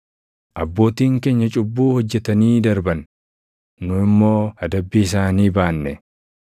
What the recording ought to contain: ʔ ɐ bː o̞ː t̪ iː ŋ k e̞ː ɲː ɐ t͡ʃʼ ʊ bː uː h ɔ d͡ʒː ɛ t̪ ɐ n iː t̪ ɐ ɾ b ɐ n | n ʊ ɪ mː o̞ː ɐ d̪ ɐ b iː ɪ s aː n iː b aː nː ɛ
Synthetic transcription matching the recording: ʔ ɐ bː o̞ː t̪ iː ŋ k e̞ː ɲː ɐ t͡ʃʼ ʊ bː uː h ɔ d͡ʒː ɛ t̪ ɐ n iː d̪ ɐ ɾ b ɐ n | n ʊ ɪ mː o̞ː ɐ d̪ ɐ bː iː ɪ s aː n iː b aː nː ɛ